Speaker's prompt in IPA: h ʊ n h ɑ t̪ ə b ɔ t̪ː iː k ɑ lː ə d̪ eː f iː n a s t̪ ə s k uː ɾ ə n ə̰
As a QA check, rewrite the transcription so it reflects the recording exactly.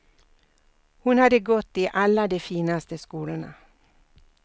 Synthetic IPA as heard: h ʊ n h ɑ d̪ ə ɡ ɔ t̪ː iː ʔ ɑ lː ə d̪ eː f iː n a s t̪ ə s k uː l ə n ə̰